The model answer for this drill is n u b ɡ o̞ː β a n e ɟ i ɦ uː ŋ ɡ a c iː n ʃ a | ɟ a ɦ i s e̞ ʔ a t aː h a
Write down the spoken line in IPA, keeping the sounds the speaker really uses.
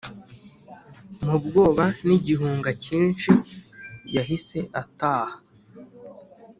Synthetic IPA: m u b ɡ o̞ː β a n i ɟ i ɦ uː ŋ ɡ a c iː n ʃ i | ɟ a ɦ i s e̞ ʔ a t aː h a